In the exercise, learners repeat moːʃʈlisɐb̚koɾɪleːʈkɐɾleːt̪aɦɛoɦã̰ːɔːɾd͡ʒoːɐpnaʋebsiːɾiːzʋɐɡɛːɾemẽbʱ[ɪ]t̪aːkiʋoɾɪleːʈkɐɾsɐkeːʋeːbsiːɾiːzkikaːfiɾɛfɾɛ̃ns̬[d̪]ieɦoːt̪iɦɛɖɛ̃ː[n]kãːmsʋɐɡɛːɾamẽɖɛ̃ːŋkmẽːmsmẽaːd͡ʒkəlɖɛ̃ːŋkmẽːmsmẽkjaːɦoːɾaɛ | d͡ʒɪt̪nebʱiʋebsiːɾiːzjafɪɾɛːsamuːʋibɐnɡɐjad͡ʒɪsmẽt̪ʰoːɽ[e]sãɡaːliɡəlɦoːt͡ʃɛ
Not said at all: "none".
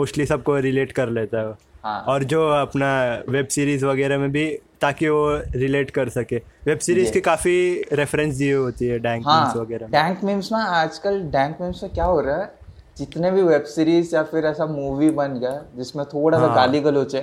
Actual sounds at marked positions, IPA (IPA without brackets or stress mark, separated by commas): i, d̪, ŋ, a